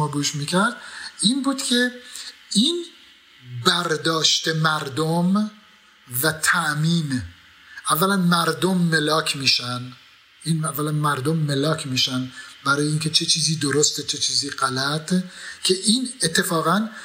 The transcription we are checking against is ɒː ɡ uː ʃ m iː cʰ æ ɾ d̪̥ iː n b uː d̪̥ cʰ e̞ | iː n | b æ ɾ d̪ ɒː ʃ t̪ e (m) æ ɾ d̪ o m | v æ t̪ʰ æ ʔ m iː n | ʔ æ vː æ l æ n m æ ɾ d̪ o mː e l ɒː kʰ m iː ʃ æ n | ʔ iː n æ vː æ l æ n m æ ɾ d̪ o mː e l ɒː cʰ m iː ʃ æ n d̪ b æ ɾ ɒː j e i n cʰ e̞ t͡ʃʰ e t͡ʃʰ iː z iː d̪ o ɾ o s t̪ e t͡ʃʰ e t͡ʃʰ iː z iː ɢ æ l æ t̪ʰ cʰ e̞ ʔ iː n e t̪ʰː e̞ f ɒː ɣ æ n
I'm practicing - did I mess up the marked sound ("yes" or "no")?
no